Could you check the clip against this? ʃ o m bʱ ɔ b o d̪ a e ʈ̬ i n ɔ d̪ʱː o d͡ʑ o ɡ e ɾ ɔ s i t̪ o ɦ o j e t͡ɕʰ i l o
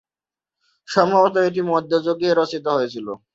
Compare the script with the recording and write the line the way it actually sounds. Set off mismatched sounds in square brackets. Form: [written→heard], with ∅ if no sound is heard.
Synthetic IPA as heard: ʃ [o→ɔ] m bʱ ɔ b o [d̪→t̪] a e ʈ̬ i [n→m] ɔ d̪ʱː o d͡ʑ o ɡ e ɾ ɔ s i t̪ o ɦ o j e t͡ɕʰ i l o